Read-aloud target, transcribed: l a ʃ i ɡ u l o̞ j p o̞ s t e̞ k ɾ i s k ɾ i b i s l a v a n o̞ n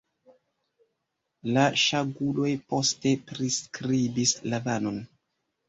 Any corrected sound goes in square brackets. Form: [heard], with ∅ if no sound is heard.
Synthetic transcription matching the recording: l a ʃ [a] ɡ u l o̞ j p o̞ s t e̞ [p] ɾ i s k ɾ i b i s l a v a n o̞ n